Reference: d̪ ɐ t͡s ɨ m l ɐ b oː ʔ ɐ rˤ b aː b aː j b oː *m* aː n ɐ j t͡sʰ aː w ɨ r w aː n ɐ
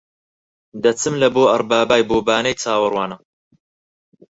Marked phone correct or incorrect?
incorrect: b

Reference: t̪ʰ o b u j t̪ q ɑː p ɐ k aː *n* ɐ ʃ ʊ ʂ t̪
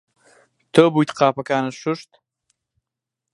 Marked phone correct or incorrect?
correct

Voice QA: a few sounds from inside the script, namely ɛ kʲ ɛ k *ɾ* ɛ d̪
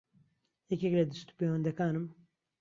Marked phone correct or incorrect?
incorrect: l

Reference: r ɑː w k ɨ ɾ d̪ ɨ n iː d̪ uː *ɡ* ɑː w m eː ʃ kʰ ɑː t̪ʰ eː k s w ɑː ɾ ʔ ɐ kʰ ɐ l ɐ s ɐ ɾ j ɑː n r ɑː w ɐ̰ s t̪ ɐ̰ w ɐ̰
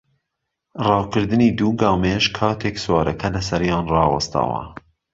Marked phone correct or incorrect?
correct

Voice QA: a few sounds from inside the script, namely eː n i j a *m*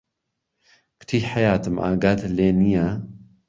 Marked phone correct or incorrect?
incorrect: none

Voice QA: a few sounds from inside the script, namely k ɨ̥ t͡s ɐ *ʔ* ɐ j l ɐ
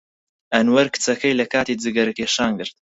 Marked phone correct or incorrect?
incorrect: k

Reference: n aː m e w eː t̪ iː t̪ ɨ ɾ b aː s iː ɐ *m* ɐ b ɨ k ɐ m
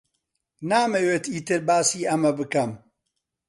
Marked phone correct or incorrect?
correct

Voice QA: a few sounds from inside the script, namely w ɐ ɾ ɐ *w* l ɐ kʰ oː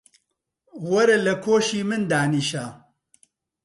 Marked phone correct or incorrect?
incorrect: none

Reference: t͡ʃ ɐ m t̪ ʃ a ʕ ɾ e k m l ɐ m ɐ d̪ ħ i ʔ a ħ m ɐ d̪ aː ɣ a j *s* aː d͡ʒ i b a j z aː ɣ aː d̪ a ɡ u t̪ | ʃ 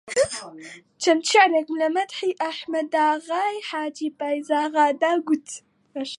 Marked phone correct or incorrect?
incorrect: ħ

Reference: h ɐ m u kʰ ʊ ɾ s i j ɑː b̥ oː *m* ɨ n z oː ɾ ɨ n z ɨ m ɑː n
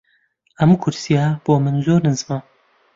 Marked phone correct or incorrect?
correct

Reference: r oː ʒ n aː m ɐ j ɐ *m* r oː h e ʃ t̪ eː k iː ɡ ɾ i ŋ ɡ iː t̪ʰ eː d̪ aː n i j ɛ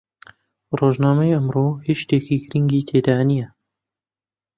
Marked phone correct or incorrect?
correct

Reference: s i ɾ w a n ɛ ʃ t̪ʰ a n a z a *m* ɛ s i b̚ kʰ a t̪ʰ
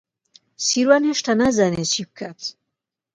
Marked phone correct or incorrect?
incorrect: n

